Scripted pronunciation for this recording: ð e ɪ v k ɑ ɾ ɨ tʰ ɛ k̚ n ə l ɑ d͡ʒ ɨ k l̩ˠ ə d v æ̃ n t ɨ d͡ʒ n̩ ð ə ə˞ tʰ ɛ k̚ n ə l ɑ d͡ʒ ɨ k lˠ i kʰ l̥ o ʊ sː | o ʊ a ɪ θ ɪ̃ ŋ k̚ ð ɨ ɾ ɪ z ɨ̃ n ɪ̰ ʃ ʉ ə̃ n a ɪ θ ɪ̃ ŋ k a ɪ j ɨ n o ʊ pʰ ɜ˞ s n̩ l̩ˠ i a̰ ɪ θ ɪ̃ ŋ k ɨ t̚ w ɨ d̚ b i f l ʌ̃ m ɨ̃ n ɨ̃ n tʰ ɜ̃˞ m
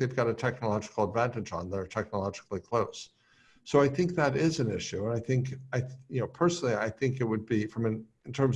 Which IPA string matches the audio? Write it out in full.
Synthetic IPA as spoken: ð e ɪ v ɡ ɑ ɾ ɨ tʰ ɛ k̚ n ə l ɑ d͡ʒ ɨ k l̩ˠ ə d v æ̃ n t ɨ d͡ʒ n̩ ð ə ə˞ tʰ ɛ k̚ n ə l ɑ d͡ʒ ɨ k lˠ i kʰ l̥ o ʊ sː | o ʊ a ɪ θ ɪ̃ ŋ k̚ ð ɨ ɾ ɪ z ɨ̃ n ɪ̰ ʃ ʉ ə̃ n a ɪ θ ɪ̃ ŋ k a ɪ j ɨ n o ʊ pʰ ɜ˞ s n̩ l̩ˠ i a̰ ɪ θ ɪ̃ ŋ k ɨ t̚ w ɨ d̚ b i f ɹ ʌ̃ m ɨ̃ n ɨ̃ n tʰ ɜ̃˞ m